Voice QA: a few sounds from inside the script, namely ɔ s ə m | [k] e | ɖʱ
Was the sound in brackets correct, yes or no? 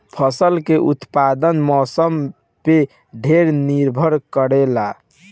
no